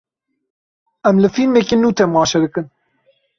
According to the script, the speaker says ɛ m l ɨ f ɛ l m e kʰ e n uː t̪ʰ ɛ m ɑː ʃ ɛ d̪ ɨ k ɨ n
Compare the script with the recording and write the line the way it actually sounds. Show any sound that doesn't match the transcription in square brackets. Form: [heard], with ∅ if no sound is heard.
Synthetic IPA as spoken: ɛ m l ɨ f [i] l m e [k] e n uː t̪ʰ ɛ m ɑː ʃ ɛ d̪ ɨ k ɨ n

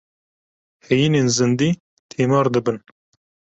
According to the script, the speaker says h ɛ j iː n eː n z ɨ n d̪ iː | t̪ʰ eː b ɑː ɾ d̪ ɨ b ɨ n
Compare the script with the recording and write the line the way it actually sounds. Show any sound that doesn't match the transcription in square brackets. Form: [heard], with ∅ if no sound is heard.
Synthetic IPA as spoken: h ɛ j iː n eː n z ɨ n d̪ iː | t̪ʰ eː [m] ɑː ɾ d̪ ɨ b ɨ n

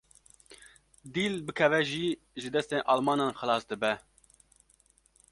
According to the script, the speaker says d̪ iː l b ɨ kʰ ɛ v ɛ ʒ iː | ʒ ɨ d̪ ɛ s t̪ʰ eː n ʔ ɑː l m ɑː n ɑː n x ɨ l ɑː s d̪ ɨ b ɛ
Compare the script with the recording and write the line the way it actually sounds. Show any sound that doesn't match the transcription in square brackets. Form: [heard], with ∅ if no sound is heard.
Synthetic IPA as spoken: d̪ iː l b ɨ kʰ ɛ v ɛ ʒ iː | ʒ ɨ d̪ ɛ s [t̪] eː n ʔ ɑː l m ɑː n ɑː n x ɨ l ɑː s d̪ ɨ b ɛ

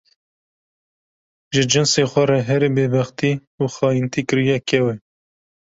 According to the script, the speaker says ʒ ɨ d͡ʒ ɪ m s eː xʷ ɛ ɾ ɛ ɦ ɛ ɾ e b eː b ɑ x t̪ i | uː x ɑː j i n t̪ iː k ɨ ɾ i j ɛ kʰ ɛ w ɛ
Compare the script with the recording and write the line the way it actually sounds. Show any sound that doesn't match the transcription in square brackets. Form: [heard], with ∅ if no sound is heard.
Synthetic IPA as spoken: ʒ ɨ d͡ʒ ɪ [n] s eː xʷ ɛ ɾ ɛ ɦ ɛ ɾ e b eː b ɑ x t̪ i | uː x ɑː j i n t̪ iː k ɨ ɾ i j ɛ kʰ ɛ w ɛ

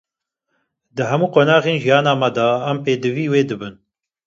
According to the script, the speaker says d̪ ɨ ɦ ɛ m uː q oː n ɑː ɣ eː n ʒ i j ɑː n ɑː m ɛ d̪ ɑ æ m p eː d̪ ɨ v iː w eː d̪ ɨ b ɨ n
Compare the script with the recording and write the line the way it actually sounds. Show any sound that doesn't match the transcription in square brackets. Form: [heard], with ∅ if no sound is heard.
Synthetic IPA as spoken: d̪ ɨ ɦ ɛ m uː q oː n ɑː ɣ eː n ʒ i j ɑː n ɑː m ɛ d̪ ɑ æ m p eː d̪ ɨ v iː w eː d̪ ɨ b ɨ n

